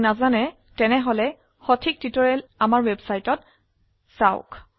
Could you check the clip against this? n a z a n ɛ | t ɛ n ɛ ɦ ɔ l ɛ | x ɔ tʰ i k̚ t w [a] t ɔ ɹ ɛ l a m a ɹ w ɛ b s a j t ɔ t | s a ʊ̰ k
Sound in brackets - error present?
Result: yes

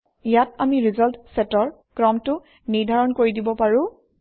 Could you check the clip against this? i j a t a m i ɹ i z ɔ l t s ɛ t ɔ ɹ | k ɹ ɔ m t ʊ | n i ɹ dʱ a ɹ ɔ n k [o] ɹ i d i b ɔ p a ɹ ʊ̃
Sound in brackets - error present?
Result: no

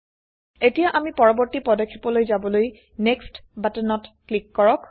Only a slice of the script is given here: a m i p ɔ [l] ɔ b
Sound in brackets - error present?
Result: yes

